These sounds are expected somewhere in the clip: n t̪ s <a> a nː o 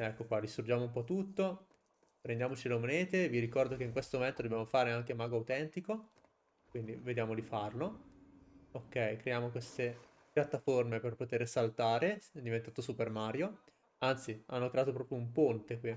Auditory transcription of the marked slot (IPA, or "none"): i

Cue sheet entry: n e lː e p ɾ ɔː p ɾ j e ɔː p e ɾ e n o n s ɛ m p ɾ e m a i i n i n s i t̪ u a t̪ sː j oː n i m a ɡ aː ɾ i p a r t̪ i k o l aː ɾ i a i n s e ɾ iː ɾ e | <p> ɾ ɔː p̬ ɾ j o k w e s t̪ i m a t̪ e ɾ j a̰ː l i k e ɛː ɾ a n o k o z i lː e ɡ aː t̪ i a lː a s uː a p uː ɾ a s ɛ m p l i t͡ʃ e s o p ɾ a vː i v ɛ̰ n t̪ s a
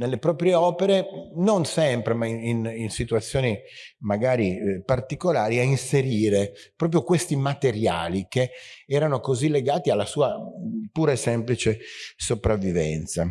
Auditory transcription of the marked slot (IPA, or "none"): p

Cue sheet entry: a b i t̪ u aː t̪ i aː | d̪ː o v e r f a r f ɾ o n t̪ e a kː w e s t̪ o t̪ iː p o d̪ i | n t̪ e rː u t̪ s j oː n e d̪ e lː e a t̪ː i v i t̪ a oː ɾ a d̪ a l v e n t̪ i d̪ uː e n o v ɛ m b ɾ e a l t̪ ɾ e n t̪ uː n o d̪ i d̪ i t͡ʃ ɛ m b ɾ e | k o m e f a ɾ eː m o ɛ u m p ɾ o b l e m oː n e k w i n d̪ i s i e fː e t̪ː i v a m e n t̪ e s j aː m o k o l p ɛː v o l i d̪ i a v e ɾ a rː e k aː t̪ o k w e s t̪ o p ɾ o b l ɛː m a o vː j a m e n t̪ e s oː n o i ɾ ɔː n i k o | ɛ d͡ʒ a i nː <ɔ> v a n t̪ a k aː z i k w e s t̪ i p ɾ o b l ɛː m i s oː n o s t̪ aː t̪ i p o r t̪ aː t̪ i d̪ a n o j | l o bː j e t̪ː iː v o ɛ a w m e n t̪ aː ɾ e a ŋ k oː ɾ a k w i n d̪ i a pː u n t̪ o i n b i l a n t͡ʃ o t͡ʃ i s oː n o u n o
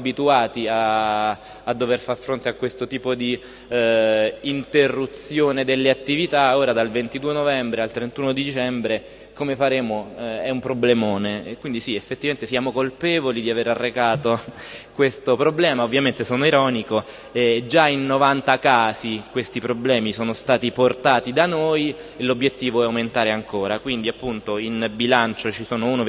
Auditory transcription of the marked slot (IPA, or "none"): o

